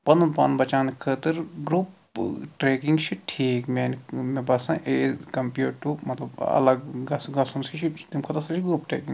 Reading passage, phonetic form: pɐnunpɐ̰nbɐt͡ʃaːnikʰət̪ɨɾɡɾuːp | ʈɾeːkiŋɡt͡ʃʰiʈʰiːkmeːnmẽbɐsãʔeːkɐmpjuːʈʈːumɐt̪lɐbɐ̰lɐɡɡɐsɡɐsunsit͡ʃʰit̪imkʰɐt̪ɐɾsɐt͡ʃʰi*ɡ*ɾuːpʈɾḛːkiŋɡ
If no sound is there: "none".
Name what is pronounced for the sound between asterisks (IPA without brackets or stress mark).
ɡ